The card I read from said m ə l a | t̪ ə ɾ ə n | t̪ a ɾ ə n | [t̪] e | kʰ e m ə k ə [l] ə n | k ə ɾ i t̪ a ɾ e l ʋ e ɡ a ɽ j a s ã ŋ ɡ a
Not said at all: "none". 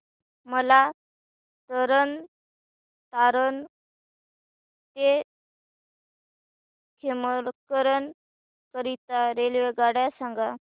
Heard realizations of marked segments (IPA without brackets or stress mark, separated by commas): t̪, ɾ